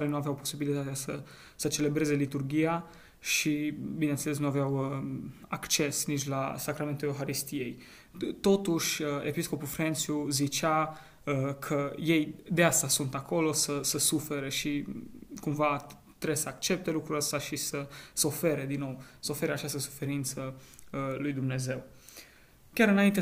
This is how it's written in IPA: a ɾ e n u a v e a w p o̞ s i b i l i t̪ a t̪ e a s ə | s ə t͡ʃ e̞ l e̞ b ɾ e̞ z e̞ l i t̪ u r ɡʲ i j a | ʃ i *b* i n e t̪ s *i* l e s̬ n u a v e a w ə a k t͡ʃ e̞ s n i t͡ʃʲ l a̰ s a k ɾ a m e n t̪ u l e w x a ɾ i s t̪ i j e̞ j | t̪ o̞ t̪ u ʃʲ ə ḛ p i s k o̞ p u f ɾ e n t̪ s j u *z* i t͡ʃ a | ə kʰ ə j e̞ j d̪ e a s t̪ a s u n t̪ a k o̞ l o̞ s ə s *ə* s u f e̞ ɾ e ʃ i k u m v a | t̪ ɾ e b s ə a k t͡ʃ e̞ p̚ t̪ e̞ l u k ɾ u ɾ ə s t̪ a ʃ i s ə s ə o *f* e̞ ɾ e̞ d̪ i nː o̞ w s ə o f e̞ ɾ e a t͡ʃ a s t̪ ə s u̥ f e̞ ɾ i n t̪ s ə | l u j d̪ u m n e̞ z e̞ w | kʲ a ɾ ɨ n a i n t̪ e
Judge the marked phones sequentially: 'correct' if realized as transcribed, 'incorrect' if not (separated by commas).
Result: correct, incorrect, correct, correct, correct